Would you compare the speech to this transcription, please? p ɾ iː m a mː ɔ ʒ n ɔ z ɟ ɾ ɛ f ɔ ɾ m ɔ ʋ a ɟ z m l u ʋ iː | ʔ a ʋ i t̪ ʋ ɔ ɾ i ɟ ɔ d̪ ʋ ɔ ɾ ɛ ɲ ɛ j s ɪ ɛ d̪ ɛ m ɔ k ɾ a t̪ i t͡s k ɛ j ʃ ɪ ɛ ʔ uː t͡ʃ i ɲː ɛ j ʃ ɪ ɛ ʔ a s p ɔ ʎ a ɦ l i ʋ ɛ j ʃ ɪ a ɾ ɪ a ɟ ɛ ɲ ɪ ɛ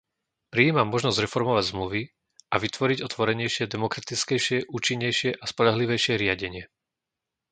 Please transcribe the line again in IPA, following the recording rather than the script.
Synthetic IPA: p ɾ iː m a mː ɔ ʒ n ɔ z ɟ ɾ ɛ f ɔ ɾ m ɔ ʋ a ɟ z m l u ʋ i | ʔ a ʋ i t̪ ʋ ɔ ɾ i ɟ ɔ t̪ ʋ ɔ ɾ ɛ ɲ ɛ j ʃ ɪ ɛ d̪ ɛ m ɔ k ɾ a t̪ i t͡s k ɛ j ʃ ɪ ɛ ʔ uː t͡ʃ i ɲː ɛ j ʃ ɪ ɛ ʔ a s p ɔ ʎ a ɦ l i ʋ ɛ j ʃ ɪ ɛ ɾ ɪ a ɟ ɛ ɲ ɪ ɛ